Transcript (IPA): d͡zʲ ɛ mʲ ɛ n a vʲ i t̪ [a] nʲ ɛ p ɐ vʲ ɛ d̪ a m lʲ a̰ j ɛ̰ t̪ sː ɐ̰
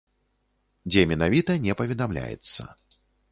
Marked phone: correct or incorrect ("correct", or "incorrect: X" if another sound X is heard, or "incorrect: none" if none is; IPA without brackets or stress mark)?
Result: incorrect: ɐ